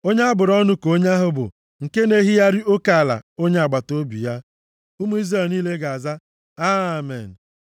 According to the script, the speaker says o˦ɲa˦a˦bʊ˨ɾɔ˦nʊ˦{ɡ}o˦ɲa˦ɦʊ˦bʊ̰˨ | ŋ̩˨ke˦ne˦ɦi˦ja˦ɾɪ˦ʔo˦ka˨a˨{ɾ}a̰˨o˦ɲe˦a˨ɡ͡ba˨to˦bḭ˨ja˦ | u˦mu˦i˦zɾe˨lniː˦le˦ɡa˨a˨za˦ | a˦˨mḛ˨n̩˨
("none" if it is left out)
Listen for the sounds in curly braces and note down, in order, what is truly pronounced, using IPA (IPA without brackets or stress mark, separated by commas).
k, l